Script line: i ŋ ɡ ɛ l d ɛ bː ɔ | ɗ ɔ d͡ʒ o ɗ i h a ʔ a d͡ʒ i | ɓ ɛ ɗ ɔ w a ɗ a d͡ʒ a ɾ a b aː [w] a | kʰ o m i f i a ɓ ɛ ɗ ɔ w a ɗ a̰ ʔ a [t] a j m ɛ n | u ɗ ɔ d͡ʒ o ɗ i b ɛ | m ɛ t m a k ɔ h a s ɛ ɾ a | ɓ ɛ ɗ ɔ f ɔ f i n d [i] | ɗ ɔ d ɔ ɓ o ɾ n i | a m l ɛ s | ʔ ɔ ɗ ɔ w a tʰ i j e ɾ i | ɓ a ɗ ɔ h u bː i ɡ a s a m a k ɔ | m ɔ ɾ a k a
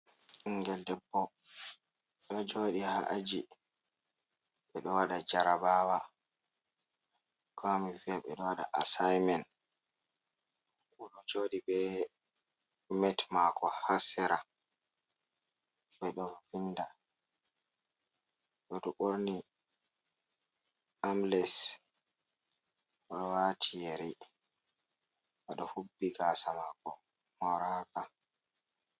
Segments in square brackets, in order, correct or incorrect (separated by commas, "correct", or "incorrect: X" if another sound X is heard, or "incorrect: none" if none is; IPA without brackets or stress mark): correct, incorrect: s, incorrect: a